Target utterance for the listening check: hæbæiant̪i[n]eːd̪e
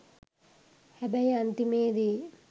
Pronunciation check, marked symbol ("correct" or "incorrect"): incorrect